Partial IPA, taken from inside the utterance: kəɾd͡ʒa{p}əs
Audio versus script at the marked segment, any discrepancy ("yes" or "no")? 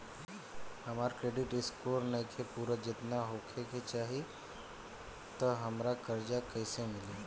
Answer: yes